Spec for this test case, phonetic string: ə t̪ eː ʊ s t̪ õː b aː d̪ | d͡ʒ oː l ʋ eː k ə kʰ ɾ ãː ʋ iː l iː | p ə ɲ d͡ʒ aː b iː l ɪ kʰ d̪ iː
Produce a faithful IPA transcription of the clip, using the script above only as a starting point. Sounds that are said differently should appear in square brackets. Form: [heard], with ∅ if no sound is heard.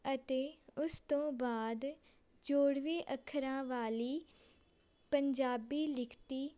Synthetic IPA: ə t̪ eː ʊ s t̪ õː b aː d̪ | d͡ʒ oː [ɽ] ʋ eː [ʔ] ə kʰ ɾ ãː ʋ [aː] l iː | p ə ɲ d͡ʒ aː b iː l ɪ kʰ [t̪] iː